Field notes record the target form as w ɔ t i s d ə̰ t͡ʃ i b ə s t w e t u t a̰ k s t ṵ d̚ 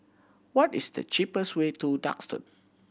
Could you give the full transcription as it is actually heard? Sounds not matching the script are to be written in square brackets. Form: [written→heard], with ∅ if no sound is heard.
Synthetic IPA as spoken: w ɔ t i s d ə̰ t͡ʃ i [b→p] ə s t w e t u [t→d] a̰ k s t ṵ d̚